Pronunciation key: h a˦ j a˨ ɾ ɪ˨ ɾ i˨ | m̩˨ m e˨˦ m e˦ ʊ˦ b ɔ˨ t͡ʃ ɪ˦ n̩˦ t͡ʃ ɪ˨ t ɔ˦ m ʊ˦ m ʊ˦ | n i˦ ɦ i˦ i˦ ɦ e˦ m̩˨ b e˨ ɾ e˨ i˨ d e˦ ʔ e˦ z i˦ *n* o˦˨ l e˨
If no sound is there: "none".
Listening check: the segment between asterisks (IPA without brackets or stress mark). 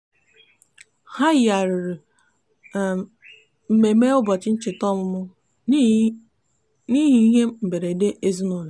n